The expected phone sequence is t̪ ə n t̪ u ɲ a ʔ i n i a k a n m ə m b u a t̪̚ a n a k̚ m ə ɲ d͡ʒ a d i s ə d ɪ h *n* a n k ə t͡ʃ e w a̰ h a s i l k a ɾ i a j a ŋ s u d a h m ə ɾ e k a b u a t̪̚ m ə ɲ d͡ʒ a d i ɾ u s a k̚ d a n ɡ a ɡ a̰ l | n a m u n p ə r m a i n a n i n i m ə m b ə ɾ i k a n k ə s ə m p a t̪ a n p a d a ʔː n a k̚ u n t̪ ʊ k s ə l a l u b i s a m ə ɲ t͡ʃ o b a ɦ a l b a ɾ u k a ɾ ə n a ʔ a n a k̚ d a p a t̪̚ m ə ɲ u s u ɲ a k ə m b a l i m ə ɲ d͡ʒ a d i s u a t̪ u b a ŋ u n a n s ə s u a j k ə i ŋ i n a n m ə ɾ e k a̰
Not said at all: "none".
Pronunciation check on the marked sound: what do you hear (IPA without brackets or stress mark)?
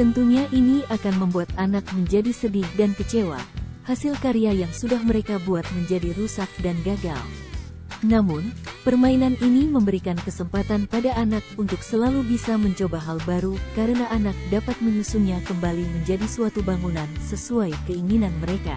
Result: d